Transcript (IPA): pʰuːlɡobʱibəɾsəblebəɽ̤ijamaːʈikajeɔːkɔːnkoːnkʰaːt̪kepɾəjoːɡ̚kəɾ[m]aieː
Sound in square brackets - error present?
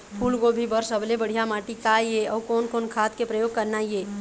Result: yes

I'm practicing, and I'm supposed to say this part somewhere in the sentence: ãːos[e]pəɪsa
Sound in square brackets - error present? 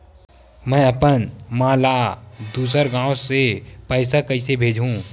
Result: no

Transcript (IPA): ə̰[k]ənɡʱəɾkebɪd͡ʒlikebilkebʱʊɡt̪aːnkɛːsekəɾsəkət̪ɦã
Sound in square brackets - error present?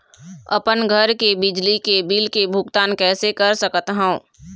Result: yes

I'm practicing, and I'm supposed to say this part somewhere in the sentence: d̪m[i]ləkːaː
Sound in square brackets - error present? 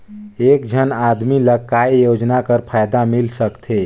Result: no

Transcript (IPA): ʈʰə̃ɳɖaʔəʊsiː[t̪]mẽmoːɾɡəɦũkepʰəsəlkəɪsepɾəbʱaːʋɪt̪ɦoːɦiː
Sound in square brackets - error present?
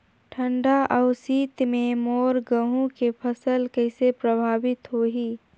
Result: no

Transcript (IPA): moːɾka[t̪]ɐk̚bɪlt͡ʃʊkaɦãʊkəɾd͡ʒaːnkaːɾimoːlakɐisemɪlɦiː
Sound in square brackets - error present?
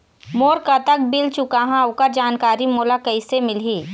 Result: no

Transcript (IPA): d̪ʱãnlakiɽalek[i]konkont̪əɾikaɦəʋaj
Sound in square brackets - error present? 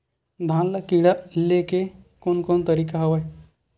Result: yes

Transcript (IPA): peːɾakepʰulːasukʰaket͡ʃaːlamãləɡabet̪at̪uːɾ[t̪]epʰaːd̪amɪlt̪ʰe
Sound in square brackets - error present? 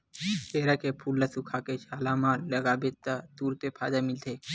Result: no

